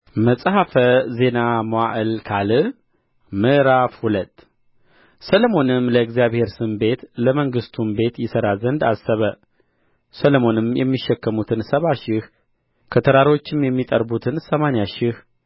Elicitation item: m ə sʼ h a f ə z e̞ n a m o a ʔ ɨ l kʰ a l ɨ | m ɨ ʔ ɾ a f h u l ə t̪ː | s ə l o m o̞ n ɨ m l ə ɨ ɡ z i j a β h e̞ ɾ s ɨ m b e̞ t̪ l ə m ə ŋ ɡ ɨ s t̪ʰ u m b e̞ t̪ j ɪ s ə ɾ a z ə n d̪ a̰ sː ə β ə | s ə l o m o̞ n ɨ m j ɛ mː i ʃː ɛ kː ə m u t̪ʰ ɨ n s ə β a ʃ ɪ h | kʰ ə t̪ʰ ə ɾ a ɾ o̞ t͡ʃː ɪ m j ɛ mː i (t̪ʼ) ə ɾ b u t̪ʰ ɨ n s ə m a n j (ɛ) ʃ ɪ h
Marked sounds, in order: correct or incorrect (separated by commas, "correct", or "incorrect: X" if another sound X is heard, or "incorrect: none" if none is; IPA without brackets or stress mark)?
correct, incorrect: a